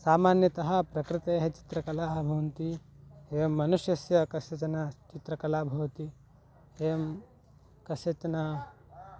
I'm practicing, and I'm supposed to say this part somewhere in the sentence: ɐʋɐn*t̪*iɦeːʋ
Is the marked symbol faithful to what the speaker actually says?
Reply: yes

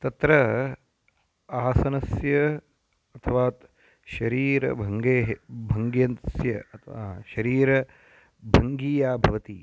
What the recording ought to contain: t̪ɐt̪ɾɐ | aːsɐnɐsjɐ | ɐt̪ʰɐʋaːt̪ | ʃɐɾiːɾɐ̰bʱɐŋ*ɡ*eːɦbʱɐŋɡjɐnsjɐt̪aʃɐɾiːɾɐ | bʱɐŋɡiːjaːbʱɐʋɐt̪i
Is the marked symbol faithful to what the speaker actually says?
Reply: yes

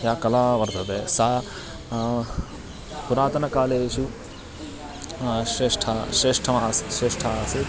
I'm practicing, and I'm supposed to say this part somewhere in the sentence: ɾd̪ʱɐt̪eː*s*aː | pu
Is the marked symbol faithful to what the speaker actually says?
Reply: yes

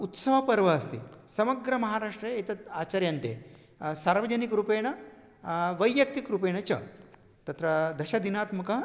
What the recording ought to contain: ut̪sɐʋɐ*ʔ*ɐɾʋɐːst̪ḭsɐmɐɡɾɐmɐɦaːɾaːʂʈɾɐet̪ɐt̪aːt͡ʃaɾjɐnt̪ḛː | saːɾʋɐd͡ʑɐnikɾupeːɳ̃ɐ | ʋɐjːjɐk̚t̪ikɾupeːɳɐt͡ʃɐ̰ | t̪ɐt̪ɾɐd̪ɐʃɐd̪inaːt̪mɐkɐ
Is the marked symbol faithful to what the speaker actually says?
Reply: no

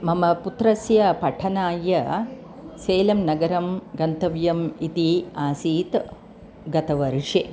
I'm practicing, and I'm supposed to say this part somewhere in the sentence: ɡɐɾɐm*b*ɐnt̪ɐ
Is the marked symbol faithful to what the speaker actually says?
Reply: no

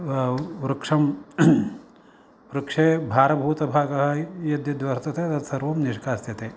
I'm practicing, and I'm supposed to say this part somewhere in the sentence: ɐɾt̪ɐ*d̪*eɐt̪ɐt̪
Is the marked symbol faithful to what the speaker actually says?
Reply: no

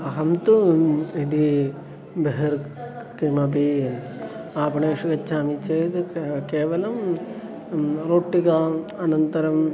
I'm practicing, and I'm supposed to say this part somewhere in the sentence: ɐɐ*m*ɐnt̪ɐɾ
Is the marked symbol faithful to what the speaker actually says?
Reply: no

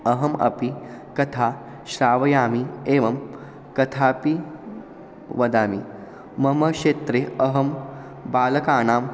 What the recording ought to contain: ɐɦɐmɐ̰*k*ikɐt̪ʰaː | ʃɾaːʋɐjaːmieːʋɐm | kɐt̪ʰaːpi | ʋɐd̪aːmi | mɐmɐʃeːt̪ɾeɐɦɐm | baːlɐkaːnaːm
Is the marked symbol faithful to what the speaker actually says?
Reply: no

